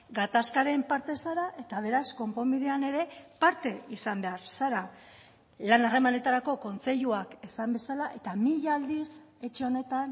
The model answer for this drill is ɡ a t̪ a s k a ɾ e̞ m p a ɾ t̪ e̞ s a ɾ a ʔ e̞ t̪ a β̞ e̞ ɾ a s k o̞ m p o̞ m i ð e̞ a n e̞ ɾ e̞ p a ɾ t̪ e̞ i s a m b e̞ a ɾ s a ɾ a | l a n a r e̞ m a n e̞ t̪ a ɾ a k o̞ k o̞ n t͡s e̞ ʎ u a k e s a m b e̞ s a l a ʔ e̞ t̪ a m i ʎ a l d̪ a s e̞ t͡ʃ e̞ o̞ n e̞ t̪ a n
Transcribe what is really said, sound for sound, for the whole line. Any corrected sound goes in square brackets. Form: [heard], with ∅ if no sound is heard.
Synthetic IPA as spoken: ɡ a t̪ a s k a ɾ e̞ m p a ɾ t̪ e̞ s a ɾ a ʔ e̞ t̪ a β̞ e̞ ɾ a s k o̞ m p o̞ m i ð e̞ a n e̞ ɾ e̞ p a ɾ t̪ e̞ i s a m b e̞ a ɾ s a ɾ a | l a n a r e̞ m a n e̞ t̪ a ɾ a k o̞ k o̞ n t͡s e̞ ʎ u a k e s a m b e̞ s a l a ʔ e̞ t̪ a m i ʎ a l d̪ [i] s e̞ t͡ʃ e̞ o̞ n e̞ t̪ a n